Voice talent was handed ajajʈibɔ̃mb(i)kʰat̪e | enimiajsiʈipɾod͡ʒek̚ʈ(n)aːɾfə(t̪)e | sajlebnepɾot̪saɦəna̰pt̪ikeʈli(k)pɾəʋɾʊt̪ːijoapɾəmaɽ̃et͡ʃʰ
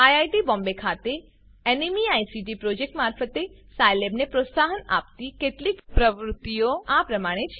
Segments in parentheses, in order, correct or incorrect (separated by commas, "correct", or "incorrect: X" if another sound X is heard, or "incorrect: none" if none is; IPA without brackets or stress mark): incorrect: e, incorrect: m, correct, correct